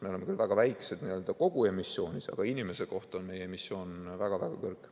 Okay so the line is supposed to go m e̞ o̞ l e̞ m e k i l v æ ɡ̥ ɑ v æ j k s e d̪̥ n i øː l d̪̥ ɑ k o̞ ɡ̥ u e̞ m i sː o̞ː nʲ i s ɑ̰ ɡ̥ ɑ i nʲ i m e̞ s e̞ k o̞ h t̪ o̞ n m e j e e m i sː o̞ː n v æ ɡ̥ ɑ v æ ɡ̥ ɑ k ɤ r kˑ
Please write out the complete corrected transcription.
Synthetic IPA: m e̞ o̞ l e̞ m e k y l v æ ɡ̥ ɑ v æ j k s e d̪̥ n i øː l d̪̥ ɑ k o̞ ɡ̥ u e̞ m i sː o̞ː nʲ i s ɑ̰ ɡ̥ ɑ i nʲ i m e̞ s e̞ k o̞ h t̪ o̞ n m e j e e m i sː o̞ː n v æ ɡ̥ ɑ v æ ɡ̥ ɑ k ɤ r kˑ